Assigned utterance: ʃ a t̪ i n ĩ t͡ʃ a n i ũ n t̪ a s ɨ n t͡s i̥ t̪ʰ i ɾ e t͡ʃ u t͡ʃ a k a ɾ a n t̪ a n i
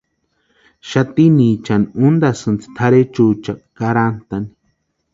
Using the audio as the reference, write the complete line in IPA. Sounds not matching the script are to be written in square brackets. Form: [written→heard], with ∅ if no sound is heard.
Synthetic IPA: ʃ a t̪ i n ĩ t͡ʃ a n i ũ n [t̪→d̪] a s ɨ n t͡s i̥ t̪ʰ [i→a] ɾ e t͡ʃ u t͡ʃ a k a ɾ a n t̪ a n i

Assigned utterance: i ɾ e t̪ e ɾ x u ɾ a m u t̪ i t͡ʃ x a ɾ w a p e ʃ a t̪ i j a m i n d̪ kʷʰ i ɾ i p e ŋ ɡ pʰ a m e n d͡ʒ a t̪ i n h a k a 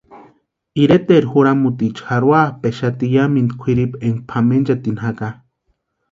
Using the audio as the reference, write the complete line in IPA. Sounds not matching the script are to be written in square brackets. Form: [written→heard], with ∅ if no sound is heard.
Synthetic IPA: i ɾ e t̪ e ɾ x u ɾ a m u t̪ i t͡ʃ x a ɾ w a p e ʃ a t̪ i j a m i n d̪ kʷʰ i ɾ i p e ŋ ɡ pʰ a m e n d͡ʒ a t̪ i n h a k a

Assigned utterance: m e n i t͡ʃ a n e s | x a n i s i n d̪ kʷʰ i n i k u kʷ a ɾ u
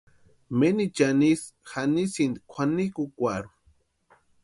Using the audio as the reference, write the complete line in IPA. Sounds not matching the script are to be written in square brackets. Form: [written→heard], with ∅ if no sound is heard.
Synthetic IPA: m e n i t͡ʃ a n [e→i] s | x a n i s i n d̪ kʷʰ [i→a] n i k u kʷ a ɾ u

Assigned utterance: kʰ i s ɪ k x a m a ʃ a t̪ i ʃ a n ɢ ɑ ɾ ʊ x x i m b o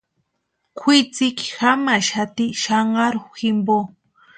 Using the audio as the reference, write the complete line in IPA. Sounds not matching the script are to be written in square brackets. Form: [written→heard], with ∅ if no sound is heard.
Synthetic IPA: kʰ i [s→t͡s] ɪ k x a m a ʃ a t̪ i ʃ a [n→ɴ] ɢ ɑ ɾ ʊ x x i m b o

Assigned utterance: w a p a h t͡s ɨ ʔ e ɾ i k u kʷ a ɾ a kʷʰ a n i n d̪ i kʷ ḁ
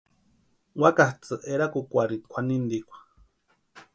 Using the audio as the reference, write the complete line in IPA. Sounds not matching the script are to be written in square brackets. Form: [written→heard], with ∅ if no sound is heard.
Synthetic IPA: w a [p→k] a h t͡s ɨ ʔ e ɾ [i→a] k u kʷ a ɾ [a→i] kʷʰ a n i n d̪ i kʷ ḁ

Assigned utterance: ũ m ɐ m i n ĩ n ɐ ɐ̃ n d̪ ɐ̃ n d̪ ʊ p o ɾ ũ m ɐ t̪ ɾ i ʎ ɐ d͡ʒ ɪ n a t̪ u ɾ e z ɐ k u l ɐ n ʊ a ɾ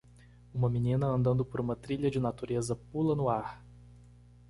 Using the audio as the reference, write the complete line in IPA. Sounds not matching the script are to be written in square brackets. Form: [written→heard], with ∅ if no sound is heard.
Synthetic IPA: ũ m ɐ m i n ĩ n ɐ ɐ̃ n d̪ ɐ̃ n d̪ ʊ p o ɾ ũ m ɐ t̪ ɾ i ʎ ɐ d͡ʒ ɪ n a t̪ u ɾ e z ɐ [k→p] u l ɐ n ʊ a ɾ

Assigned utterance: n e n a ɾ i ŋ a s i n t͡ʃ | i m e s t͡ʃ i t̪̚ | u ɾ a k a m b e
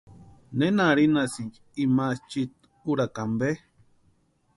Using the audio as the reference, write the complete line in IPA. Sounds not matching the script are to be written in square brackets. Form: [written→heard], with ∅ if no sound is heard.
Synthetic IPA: n e n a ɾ i [ŋ→n] a s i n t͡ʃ | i m [e→a] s t͡ʃ i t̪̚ | u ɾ a k a m b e

